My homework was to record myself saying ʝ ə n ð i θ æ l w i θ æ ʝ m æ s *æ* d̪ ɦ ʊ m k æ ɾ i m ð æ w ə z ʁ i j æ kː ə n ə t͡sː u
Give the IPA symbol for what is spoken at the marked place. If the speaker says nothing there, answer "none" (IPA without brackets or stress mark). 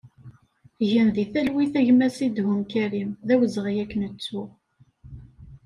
i